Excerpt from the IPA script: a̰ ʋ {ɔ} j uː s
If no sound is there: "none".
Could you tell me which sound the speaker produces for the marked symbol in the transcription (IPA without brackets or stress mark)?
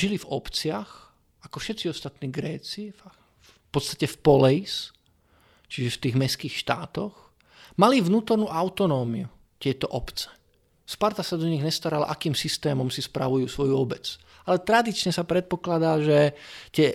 u